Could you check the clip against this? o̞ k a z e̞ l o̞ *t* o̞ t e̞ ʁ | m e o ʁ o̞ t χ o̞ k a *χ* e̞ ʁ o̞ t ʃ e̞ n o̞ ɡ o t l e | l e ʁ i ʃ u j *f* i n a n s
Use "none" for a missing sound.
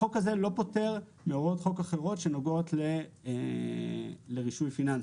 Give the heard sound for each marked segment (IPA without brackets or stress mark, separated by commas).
p, χ, f